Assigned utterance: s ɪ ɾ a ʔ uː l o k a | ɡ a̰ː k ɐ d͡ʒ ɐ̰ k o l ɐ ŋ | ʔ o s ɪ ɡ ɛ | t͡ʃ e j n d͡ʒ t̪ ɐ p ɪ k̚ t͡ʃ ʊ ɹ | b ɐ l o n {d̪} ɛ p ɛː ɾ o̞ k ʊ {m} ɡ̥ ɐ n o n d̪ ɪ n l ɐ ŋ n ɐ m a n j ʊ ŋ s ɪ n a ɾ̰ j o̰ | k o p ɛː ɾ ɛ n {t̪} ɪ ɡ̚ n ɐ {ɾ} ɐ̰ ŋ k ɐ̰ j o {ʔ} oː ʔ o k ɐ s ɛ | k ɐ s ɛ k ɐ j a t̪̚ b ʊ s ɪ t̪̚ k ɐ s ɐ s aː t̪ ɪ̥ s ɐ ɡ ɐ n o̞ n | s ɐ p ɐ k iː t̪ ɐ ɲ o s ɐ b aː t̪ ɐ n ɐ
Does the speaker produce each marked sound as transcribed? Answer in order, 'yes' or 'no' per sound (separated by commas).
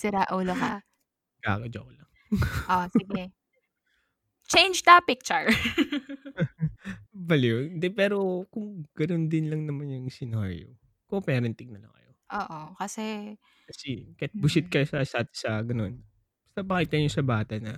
yes, no, yes, no, yes